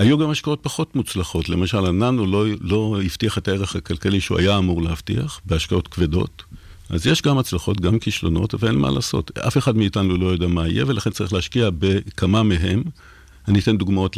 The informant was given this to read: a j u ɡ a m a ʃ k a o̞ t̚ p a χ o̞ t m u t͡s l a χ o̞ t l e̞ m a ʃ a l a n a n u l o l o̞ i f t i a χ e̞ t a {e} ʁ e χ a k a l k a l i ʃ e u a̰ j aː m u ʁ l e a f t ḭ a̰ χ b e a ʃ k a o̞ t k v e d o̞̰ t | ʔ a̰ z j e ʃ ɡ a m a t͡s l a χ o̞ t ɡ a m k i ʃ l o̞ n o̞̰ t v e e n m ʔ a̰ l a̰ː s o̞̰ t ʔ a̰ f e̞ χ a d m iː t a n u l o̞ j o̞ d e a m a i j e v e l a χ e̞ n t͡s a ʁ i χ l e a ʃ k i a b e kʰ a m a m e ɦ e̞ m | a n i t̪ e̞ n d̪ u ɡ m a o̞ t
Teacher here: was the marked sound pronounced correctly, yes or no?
yes